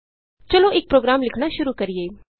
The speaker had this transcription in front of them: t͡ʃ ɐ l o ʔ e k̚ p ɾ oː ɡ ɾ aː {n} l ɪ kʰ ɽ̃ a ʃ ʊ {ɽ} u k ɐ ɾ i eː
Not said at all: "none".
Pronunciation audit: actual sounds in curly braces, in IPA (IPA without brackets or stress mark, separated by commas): m, ɾ